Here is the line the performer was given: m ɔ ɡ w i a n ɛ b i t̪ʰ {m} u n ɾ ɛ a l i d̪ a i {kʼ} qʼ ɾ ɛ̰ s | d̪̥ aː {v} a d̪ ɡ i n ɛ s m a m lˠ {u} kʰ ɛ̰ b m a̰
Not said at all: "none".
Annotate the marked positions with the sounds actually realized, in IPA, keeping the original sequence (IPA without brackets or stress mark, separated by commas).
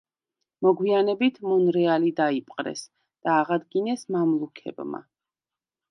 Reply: m, pʼ, ʁ, u